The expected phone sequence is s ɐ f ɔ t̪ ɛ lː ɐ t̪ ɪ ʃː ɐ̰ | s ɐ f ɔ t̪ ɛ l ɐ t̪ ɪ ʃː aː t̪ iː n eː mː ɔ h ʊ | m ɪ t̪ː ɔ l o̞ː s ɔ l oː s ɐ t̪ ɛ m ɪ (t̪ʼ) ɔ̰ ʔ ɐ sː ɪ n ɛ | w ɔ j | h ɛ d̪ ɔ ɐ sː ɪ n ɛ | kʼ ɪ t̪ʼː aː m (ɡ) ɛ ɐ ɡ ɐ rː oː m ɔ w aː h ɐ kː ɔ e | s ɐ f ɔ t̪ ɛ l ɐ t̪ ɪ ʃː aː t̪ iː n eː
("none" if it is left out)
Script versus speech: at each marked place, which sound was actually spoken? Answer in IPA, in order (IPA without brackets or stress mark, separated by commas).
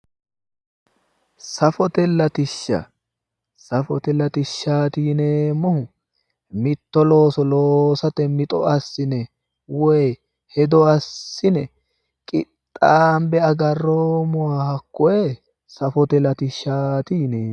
t̪ʼ, b